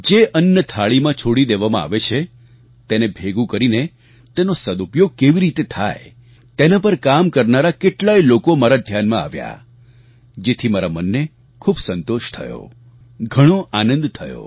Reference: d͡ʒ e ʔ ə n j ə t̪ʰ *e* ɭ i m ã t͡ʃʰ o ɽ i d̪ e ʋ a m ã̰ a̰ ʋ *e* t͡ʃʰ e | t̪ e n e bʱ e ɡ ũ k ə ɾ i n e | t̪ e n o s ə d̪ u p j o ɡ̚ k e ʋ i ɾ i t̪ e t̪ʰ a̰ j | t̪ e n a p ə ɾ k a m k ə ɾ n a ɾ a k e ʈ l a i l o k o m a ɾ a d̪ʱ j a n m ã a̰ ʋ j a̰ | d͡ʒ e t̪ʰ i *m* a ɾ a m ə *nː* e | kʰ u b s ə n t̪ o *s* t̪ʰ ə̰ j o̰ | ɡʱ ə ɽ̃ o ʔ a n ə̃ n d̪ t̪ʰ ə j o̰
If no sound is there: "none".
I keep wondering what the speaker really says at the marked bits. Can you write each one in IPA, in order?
a, e, m, nː, ʃ

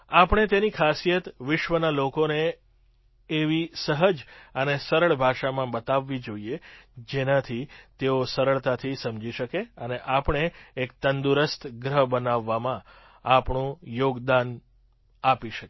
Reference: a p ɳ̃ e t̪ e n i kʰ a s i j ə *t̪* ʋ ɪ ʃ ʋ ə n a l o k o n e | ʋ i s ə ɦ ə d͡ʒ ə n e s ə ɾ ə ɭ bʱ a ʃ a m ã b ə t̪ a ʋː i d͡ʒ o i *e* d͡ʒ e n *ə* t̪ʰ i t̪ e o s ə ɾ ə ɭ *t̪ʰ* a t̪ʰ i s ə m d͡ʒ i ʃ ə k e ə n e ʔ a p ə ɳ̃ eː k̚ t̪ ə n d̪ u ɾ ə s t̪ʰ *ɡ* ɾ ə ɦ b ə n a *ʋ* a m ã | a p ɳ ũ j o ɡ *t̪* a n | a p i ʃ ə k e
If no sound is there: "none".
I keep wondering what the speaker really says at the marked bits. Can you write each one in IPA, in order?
t̪, e, a, t̪, ɡ, ʋː, d̪

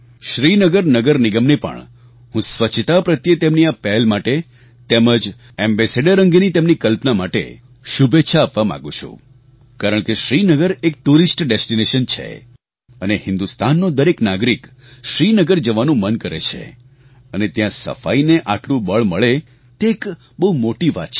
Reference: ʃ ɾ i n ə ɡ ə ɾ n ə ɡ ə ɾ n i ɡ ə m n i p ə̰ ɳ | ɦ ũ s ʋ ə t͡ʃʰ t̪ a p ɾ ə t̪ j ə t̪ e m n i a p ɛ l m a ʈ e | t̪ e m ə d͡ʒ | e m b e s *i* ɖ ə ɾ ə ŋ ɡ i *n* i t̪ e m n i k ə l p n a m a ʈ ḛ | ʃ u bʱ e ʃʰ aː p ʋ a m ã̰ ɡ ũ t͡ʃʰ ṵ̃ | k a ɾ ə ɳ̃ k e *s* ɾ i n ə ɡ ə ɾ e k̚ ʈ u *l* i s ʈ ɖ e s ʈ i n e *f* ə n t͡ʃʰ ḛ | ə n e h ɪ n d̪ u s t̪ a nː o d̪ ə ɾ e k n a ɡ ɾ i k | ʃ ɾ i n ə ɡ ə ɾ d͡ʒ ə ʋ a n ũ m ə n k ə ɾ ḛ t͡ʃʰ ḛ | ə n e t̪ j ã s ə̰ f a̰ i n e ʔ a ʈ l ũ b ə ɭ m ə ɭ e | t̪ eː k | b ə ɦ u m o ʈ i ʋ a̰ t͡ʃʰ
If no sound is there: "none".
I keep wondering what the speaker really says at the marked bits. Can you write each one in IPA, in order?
e, n, ʃ, ɾ, ʃ

